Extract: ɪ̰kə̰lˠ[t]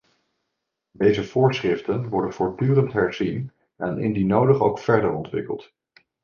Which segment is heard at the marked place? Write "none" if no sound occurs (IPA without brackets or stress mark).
t